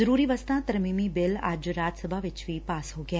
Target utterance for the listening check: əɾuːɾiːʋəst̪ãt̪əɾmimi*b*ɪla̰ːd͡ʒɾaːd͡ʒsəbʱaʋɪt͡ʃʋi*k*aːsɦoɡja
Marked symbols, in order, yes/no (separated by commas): yes, no